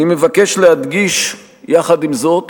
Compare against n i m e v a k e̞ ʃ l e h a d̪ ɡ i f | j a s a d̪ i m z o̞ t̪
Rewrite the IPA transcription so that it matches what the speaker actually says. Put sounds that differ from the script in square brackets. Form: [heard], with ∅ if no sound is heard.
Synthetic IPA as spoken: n i m e v a k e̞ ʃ l e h a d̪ ɡ i [ʃ] | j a [χ] a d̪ i m z o̞ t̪